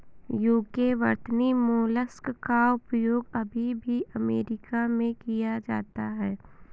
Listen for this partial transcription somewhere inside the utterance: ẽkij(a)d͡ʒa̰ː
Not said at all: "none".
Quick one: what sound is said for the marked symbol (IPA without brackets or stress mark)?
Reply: a